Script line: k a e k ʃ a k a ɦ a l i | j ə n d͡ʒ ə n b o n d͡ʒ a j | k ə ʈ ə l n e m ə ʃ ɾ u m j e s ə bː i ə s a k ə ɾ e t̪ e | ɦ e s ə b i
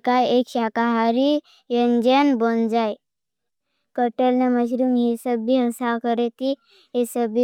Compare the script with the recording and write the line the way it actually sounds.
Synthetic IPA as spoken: k a e k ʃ a k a ɦ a ɾ i | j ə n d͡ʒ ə n b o n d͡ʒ a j | k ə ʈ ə l n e m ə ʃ ɾ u m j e s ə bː i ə s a k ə ɾ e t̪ i | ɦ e s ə b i

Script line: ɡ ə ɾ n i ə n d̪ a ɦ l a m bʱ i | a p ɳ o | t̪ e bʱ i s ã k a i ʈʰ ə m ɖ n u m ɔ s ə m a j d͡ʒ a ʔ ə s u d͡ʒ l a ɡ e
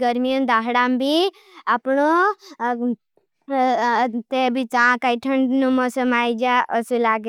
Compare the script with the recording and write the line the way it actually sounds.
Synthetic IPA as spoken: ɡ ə ɾ m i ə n d̪ a ɦ ɽ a m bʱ i | a p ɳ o | t̪ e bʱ i t͡s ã k a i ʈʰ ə ɳ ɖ n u m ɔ s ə m a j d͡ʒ a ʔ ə s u l a ɡ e

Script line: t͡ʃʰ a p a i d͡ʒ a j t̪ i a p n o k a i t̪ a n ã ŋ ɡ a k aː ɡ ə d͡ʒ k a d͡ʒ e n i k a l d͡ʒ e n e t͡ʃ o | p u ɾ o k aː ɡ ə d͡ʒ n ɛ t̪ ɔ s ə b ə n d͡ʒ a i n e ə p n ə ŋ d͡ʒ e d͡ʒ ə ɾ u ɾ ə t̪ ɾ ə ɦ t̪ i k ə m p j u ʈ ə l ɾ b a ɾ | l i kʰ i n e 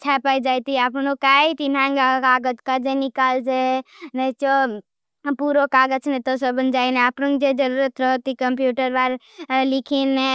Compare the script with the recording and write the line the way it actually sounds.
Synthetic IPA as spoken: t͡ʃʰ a p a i d͡ʒ a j t̪ i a p n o k a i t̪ i n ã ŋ ɡ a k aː ɡ ə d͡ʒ k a d͡ʒ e n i k a l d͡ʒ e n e t͡ʃ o | p u ɾ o k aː ɡ ə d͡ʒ n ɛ t̪ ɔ s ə b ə n d͡ʒ a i n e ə p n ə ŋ d͡ʒ e d͡ʒ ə ɾ u ɾ ə t̪ ɾ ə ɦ t̪ i k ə m p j u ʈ ə ɾ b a ɾ | l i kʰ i n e

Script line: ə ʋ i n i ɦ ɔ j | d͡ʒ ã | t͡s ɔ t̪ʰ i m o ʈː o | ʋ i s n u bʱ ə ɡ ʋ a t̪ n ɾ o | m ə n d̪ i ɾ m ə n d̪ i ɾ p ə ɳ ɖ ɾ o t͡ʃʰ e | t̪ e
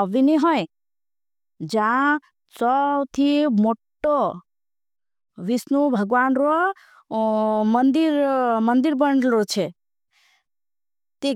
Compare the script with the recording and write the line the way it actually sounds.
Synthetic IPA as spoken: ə ʋ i n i ɦ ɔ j | d͡ʒ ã | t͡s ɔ t̪ʰ i m o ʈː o | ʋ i s n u bʱ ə ɡ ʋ a n ɾ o | m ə n d̪ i ɾ m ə n d̪ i ɾ b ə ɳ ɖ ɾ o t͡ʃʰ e | t̪ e

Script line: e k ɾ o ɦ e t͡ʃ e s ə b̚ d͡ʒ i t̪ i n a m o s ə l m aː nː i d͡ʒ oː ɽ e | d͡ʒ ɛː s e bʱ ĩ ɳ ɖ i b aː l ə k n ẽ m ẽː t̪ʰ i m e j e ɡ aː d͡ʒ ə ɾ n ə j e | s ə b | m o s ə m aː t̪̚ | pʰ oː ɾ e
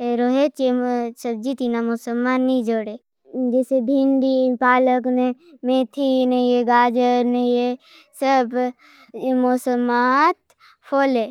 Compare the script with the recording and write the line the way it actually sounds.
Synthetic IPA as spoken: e ɾ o ɦ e t͡ʃ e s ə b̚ d͡ʒ i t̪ i n a m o s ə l m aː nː i d͡ʒ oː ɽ e | d͡ʒ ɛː s e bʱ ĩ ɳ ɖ i p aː l ə k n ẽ m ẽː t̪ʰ i n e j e ɡ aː d͡ʒ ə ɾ n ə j e | s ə b | m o s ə m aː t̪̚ | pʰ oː l e

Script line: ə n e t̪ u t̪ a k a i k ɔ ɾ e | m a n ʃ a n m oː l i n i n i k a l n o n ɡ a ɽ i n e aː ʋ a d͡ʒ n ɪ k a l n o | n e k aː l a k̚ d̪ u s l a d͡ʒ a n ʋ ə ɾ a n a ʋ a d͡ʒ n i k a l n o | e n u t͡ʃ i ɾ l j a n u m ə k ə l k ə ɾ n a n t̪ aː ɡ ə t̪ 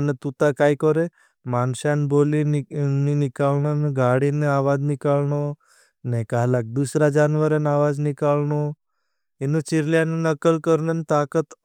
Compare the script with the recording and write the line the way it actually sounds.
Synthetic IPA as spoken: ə n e t̪ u t̪ a k a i k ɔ ɾ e | m a n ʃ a n b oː l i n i n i k a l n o n ɡ a ɽ i n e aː ʋ a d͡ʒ n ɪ k a l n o | n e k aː l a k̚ d̪ u s ɾ a d͡ʒ a n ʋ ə ɾ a n a ʋ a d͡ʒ n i k a l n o | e n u t͡ʃ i ɾ l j a n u n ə k ə l k ə ɾ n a n t̪ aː k ə t̪

